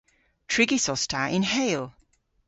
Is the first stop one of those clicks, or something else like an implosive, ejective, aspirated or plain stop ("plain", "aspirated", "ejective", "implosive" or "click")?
aspirated